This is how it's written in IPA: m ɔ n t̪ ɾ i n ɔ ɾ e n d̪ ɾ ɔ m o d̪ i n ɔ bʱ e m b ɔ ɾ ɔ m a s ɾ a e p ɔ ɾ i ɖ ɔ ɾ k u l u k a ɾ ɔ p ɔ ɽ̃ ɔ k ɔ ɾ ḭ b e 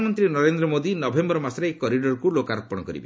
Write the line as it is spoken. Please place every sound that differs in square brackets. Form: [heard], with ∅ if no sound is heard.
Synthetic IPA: m ɔ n t̪ ɾ i n ɔ ɾ e n d̪ ɾ ɔ m o d̪ i n ɔ bʱ e m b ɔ ɾ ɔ m a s ɾ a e [k] ɔ ɾ i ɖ ɔ ɾ k u l [o] k a ɾ ɔ p ɔ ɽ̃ ɔ k ɔ ɾ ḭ b e